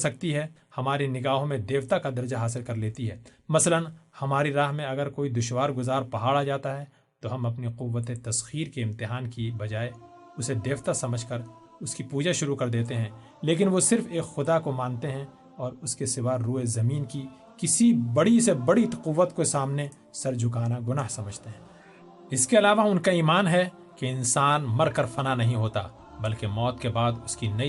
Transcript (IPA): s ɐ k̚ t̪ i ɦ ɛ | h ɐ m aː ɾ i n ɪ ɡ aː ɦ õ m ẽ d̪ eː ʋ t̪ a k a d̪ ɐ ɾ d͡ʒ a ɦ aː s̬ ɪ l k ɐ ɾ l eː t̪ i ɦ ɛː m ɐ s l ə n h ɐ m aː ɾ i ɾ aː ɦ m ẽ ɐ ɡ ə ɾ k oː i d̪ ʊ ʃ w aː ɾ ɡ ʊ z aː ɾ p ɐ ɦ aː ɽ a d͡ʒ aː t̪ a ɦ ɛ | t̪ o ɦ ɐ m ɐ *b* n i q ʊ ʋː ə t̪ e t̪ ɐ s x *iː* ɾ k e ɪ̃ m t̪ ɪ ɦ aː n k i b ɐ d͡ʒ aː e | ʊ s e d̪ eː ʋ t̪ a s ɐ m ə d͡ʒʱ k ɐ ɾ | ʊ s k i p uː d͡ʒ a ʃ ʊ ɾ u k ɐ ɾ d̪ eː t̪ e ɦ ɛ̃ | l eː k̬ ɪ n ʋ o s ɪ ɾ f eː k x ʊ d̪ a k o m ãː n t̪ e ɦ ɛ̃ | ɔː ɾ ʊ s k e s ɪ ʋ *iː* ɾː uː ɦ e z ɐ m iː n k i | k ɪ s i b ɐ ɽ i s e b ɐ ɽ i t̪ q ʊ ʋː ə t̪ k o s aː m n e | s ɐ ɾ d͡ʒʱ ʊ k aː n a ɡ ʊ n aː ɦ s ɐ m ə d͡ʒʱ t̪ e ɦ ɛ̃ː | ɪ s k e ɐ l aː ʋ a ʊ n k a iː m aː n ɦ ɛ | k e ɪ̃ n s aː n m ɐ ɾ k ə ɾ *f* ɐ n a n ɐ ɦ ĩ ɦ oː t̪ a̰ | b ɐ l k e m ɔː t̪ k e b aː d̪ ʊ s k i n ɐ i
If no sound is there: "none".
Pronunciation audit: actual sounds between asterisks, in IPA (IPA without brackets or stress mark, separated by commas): p, iː, aː, f